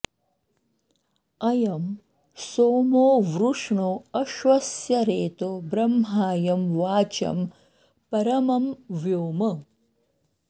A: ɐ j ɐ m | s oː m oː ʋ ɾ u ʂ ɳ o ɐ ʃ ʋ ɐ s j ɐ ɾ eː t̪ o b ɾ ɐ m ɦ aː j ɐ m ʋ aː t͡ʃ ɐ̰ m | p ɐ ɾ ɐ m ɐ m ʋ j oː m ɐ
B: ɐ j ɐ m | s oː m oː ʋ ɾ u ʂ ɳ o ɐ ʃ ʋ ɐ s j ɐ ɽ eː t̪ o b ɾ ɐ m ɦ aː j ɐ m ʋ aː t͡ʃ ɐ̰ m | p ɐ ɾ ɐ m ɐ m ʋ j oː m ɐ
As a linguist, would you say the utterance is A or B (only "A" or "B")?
A